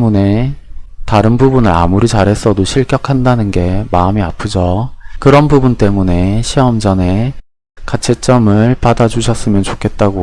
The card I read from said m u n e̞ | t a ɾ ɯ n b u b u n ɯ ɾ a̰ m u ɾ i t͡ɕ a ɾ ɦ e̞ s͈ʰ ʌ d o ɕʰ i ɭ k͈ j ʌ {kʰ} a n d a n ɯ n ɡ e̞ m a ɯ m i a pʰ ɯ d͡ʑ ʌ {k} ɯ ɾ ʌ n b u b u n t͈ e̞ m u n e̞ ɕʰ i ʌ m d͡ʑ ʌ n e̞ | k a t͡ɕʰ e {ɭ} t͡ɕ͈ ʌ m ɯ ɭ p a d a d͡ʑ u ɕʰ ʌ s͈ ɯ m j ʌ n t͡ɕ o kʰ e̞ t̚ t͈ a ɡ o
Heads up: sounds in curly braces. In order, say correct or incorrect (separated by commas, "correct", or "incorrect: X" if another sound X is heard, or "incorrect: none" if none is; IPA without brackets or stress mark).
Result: correct, correct, incorrect: none